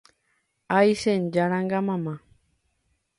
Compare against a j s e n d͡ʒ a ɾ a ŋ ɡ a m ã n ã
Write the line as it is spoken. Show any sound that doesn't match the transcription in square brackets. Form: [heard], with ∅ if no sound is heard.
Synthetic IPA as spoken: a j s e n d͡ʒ a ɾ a ŋ ɡ a m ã [m] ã